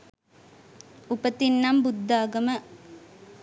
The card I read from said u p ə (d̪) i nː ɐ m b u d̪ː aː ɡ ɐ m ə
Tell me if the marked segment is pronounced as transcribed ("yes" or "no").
no